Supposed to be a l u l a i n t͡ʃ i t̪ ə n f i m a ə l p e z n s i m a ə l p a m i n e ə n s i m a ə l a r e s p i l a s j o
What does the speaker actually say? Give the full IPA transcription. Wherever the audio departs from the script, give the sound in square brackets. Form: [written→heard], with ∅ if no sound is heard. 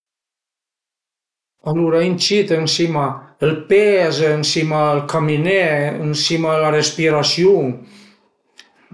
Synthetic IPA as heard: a l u [l→ɾ] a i n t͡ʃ i t̪ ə n [f→s] i m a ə l p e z n s i m a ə l [p→k] a m i n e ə n s i m a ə l a r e s p i [l→ɾ] a s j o